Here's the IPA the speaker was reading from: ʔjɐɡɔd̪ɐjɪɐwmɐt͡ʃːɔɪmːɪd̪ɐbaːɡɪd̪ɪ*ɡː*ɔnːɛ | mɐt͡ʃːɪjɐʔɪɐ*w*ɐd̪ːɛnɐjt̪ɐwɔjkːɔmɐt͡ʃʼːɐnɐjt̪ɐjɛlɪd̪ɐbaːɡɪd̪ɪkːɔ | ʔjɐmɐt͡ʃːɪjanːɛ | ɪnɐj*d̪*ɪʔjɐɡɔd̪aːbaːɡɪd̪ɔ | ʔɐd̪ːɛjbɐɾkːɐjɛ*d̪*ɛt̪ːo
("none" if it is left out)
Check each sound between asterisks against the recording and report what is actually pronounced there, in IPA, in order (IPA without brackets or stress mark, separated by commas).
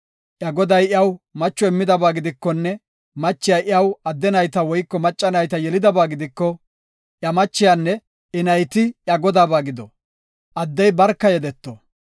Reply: kː, w, t̪, d̪